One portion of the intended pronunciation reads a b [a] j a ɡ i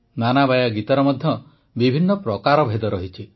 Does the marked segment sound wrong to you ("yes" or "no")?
no